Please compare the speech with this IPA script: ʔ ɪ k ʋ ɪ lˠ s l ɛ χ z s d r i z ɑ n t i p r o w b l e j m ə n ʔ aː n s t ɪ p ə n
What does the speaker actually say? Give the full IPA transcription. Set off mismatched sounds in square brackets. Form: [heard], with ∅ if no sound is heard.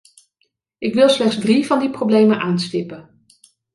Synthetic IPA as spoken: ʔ ɪ k ʋ ɪ lˠ s l ɛ χ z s d r i [v] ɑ n [d] i p r o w b l e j m ə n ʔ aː n s t ɪ p ə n